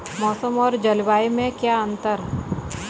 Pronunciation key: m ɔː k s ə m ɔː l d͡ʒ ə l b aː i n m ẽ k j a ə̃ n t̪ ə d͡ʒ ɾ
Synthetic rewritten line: m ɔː s ə m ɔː ɾ d͡ʒ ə l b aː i m ẽ k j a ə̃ n t̪ ə ɾ